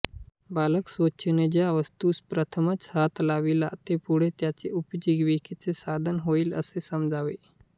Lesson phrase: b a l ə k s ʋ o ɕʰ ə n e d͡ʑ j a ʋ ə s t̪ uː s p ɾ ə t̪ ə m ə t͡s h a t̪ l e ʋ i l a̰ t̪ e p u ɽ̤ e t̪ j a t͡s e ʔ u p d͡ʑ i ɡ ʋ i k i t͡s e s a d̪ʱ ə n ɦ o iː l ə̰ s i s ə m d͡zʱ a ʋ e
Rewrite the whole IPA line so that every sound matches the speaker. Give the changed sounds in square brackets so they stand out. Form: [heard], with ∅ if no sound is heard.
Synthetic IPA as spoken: b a l ə k s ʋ o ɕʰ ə n e d͡ʑ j a ʋ ə s t̪ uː s p ɾ ə [t̪ʰ] ə m ə t͡s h a t̪ l [a] ʋ i l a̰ t̪ e p u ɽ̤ e t̪ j a t͡s e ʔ u p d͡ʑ i ɡ ʋ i k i t͡s e s a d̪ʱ ə n ɦ o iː l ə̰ s [e] s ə m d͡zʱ a ʋ e